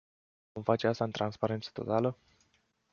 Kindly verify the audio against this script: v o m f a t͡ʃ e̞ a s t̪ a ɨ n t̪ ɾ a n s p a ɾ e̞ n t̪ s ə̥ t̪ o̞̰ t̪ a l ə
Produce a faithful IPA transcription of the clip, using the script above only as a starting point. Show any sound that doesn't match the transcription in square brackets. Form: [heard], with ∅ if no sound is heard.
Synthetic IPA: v o m f a t͡ʃ e̞ a s t̪ a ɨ n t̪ ɾ a n s p a ɾ e̞ n t̪ s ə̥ t̪ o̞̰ t̪ a l ə